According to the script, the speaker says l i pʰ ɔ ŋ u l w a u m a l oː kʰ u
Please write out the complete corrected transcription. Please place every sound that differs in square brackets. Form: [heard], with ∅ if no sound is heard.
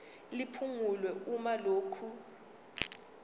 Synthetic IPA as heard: l i pʰ [u] ŋ u l w [ɛ] u m a l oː kʰ u